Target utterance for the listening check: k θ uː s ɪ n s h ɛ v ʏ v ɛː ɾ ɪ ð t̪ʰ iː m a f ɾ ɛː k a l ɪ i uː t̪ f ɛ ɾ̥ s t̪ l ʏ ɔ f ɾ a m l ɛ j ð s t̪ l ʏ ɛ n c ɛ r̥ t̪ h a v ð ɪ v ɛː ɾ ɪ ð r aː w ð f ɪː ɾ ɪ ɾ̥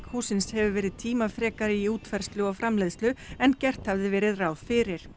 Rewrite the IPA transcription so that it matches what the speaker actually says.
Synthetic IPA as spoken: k h uː s ɪ n s h ɛ v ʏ v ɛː ɾ ɪ ð t̪ʰ iː m a f ɾ ɛː k a ɾ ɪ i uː t̪ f ɛ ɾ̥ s t̪ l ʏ ɔ f ɾ a m l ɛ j ð s t̪ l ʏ ɛ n c ɛ r̥ t̪ h a v ð ɪ v ɛː ɾ ɪ ð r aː w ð f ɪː ɾ ɪ ɾ̥

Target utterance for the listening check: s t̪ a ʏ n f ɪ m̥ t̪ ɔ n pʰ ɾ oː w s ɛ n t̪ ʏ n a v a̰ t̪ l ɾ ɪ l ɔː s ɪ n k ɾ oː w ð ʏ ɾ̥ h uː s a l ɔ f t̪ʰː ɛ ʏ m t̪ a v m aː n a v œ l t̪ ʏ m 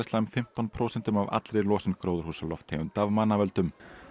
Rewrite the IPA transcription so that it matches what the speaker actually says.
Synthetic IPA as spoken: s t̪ a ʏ m f ɪ m̥ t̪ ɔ n pʰ ɾ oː w s ɛ n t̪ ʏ m a v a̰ t̪ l ɾ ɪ l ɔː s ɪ n k ɾ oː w ð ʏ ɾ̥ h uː s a l ɔ f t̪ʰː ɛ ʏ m t̪ a v m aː n a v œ l t̪ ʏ m

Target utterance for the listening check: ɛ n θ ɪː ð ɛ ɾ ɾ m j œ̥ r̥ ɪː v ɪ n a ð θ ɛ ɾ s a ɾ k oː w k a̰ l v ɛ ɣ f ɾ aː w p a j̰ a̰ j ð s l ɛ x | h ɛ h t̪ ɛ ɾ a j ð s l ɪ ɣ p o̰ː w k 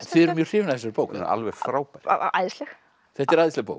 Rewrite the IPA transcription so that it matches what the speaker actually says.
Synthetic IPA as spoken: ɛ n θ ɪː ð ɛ ɾ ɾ m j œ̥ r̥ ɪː v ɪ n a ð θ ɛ s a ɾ p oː w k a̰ l v ɛ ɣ f ɾ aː w p a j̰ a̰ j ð s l ɛ x | θ ɛ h t̪ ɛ ɾ a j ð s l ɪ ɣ p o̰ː w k

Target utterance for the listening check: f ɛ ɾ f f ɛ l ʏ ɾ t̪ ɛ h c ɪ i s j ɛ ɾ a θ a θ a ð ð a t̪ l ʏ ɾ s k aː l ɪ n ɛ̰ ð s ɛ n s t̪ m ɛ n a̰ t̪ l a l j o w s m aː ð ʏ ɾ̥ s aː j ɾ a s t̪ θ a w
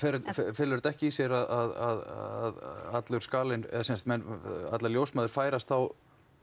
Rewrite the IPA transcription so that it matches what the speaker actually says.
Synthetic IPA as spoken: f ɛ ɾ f f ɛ l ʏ ɾ t̪ ɛ h c ɪ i s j ɛ ɾ a ð a ð a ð ð a t̪ l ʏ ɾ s k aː l ɪ n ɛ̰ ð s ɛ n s t̪ m ɛ n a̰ t̪ l a l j o w s m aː ð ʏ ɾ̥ f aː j ɾ a s t̪ θ a w

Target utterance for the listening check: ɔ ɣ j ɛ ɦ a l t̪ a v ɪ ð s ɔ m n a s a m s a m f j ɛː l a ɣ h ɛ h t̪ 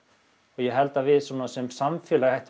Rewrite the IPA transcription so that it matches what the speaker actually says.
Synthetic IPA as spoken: ɔ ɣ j ɛ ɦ ɛ l t̪ a v ɪ ð s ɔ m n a s ɛ m s a m f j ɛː l a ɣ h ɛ h t̪

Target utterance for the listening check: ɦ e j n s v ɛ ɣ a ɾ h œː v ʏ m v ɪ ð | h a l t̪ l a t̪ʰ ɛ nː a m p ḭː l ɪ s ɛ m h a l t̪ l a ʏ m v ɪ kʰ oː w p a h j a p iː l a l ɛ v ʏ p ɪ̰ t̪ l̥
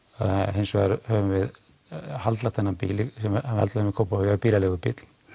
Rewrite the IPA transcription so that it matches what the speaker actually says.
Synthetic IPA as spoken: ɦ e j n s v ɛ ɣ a ɾ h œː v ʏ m v ɪ ð | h a l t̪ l a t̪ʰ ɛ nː a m p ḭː l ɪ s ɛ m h a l t̪ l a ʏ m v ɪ kʰ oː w p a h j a p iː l a l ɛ ɣ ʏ p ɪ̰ t̪ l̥

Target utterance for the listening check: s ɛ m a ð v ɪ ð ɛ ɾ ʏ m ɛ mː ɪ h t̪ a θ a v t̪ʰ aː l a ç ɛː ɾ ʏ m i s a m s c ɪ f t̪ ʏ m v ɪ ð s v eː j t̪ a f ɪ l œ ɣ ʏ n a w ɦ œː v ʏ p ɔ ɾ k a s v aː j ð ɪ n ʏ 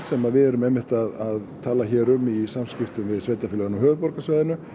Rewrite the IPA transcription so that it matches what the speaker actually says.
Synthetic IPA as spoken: s ɛ m a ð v ɪ ð ɛ ɾ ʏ m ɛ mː ɪ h t̪ a ð a ð t̪ʰ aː l a ç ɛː ɾ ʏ m i s a m s c ɪ f t̪ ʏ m v ɪ ð s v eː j t̪ a f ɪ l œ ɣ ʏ n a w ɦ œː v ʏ p ɔ ɾ k a s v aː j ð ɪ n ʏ

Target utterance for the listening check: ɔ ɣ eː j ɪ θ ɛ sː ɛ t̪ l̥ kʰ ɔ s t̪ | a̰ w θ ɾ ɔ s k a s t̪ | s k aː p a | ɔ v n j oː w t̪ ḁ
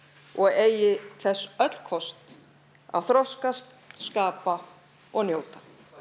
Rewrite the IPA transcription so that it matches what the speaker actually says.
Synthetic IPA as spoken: ɔ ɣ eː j ɪ θ ɛ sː œ t̪ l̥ kʰ ɔ s t̪ | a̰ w θ ɾ ɔ s k a s t̪ | s k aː p a | ɔ ɣ n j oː w t̪ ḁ

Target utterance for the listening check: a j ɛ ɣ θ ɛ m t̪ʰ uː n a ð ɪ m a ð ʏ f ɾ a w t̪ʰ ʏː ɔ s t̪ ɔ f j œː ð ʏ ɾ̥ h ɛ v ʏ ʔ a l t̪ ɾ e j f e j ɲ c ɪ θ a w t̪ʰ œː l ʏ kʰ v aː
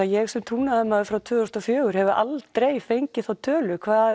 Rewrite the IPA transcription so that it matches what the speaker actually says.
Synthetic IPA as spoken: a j ɛ ɣ s ɛ m t̪ʰ uː n a ð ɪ m a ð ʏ f ɾ a w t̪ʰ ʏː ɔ s t̪ ɔ f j œː ɣ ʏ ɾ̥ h ɛ v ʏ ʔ a l t̪ ɾ e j f e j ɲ c ɪ θ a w t̪ʰ œː l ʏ kʰ v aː

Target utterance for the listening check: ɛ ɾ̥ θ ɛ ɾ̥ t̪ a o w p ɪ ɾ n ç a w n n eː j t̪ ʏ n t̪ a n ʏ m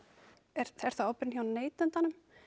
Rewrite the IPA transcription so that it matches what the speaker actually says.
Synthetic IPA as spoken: ɛ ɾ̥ θ ɛ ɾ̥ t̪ a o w p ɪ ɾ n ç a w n n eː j t̪ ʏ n t̪ a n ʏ m

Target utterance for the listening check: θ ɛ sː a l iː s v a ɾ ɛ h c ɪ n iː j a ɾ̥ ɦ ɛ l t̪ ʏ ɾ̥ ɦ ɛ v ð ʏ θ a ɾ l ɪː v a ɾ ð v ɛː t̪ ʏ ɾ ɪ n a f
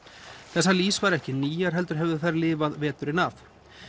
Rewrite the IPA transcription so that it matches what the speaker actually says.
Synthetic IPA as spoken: θ ɛ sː a l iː s v a ɾ ɛ h c ɪ n iː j a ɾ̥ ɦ ɛ l t̪ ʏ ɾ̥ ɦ ɛ v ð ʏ θ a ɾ l ɪː v a ð v ɛː t̪ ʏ ɾ ɪ n a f

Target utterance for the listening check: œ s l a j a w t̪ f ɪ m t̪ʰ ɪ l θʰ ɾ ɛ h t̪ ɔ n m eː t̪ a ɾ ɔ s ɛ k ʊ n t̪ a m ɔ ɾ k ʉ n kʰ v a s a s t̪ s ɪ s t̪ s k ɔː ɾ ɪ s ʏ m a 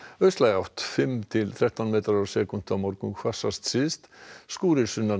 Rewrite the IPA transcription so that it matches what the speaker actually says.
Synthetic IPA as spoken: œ s l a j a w t̪ f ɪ m t̪ʰ ɪ l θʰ ɾ ɛ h t̪ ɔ n m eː t̪ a ɾ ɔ s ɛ k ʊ n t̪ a m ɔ ɾ k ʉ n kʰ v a s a s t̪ s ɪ s t̪ s k uː ɾ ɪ s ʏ n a

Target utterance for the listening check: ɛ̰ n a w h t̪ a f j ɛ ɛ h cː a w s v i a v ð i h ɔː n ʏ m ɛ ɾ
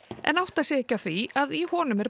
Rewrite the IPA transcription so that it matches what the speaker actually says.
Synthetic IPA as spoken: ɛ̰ n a w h t̪ a s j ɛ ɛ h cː a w θ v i a ð i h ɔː n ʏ m ɛ ɾ

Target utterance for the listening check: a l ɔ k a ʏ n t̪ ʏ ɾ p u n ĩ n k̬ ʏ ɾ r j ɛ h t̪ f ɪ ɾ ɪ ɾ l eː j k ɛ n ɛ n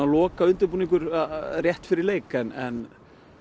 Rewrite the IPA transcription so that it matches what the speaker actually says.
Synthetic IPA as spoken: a l ɔː k a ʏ n t̪ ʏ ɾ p u n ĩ ŋ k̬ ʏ ɾ r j ɛ h t̪ f ɪ ɾ ɪ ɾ l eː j k ɛ n ɛ n

